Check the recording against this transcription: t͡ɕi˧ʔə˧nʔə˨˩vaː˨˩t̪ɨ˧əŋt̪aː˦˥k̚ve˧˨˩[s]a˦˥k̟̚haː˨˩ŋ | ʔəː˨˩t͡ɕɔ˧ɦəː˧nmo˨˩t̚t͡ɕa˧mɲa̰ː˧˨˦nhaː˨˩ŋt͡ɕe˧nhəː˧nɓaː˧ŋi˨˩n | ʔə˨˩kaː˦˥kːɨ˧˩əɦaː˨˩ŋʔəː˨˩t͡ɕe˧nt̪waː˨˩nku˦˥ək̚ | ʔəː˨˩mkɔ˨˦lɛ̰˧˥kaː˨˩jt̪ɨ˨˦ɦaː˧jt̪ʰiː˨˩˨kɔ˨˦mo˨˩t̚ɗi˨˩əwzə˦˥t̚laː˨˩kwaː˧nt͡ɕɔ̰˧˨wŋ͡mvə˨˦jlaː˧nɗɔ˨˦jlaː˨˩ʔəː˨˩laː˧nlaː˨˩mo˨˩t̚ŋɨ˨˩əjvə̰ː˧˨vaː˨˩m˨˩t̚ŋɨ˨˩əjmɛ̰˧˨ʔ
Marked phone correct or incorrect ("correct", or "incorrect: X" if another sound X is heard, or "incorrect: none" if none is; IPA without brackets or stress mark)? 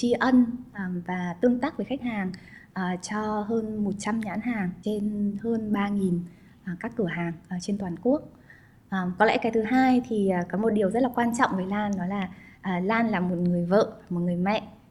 incorrect: x